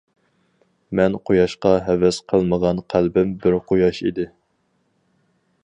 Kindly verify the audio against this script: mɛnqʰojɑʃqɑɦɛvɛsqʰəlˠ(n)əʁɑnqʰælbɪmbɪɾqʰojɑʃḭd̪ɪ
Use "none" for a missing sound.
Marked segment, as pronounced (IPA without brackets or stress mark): m